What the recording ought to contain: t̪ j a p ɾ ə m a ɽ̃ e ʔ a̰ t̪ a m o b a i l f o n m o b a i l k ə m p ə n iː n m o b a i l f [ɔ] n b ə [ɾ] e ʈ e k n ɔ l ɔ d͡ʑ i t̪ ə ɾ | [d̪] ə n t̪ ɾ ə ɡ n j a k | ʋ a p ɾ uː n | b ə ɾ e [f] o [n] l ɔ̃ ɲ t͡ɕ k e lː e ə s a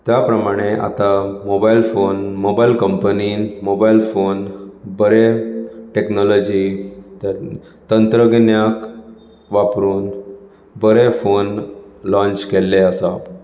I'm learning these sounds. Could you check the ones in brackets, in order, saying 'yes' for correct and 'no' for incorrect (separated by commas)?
no, yes, no, yes, yes